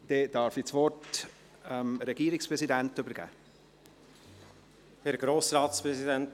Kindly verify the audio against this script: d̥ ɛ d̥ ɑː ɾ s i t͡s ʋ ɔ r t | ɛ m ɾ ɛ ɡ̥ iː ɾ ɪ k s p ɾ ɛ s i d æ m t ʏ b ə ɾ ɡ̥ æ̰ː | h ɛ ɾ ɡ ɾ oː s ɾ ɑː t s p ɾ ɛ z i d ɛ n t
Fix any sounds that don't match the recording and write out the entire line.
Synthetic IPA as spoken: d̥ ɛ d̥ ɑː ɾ f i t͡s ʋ ɔ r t | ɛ m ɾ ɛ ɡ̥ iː ɾ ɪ k s p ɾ ɛ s i d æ n t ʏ b ə ɾ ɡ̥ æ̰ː | h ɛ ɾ ɡ ɾ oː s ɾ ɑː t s p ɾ ɛ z i d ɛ n t